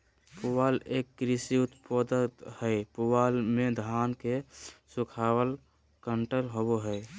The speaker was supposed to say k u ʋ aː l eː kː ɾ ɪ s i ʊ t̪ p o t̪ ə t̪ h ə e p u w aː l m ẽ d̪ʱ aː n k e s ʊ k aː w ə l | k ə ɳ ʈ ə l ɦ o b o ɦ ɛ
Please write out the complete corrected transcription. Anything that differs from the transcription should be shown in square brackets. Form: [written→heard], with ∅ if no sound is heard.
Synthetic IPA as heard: [k→p] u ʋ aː l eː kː ɾ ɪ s i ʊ t̪ p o [t̪→d̪] ə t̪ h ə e p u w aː l m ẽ d̪ʱ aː n k e s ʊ [k→kʰ] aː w ə l | k ə ɳ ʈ ə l ɦ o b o ɦ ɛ